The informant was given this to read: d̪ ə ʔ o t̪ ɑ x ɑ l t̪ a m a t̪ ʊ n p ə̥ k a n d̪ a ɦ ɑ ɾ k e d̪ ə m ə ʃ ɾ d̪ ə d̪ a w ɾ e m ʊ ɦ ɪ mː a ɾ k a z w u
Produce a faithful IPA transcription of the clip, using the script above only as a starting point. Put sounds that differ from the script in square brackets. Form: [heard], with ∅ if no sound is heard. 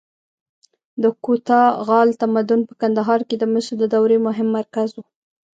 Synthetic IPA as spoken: d̪ ə [k] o t̪ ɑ [ɣ] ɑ l t̪ a m a [d̪] ʊ n p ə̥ k a n d̪ a ɦ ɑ ɾ k e d̪ ə m ə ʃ ɾ d̪ ə d̪ a w ɾ e m ʊ ɦ ɪ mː a ɾ k a z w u

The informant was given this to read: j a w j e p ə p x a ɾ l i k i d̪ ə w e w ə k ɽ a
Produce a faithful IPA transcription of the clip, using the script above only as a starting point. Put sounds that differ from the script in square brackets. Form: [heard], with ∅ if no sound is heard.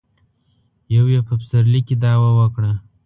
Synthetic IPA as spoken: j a w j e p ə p [s] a ɾ l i k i d̪ [ɑ] w [a] w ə k ɽ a

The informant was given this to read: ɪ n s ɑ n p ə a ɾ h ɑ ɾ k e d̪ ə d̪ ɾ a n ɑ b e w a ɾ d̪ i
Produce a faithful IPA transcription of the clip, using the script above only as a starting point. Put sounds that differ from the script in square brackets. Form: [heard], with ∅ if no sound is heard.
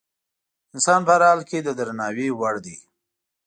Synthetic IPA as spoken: ɪ n s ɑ n p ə a ɾ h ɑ [l] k e d̪ ə d̪ ɾ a n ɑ [w] e w a [ɽ] d̪ i

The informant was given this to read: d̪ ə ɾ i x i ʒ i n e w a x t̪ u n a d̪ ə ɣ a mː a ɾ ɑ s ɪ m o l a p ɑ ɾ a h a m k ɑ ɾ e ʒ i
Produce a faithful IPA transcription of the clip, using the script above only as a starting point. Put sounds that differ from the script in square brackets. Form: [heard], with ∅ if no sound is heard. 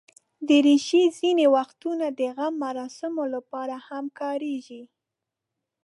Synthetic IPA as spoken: d̪ ə ɾ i [ʃ] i [z] i n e w a x t̪ u n a d̪ ə ɣ a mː a ɾ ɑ s ɪ m o l a p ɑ ɾ a h a m k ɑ ɾ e ʒ i

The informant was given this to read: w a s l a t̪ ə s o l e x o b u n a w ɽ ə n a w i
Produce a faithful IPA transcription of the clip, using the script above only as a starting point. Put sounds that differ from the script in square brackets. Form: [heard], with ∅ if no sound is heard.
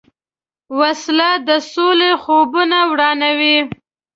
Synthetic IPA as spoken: w a s l a [d̪] ə s o l e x o b u n a w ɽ [ɑ] n a w i

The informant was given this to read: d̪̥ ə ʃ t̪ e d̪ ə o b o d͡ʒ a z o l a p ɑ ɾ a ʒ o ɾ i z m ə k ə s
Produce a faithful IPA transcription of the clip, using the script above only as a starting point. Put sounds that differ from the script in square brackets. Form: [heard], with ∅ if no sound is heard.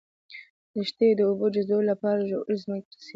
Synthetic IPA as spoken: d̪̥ ə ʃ t̪ e d̪ ə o b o d͡ʒ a z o l a p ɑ ɾ a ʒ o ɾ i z m ə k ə s

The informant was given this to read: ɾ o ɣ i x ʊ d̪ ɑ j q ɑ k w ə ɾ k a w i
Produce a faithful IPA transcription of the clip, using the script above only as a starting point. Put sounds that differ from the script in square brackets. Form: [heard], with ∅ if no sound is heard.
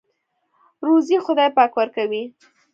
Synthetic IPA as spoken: ɾ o [z] i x ʊ d̪ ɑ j [p] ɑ k w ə ɾ k a w i

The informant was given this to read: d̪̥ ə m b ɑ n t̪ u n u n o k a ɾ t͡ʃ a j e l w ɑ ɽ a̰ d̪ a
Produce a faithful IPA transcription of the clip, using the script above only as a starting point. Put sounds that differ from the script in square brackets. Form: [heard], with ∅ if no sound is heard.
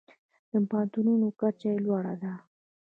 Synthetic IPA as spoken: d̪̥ ə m [p] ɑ n t̪ u n u n o k a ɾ t͡ʃ a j e l w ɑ ɽ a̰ d̪ a

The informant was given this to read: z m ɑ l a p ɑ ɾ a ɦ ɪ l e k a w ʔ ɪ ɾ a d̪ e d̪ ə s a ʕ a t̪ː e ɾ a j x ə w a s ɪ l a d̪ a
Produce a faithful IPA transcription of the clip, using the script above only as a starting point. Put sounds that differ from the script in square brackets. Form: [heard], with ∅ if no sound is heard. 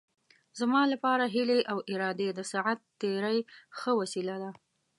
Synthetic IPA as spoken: z m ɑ l a p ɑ ɾ a ɦ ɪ l e [ʔ] a w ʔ ɪ ɾ [ɑ] d̪ e d̪ ə s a ʕ a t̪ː e ɾ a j x ə w a s [i] l a d̪ a

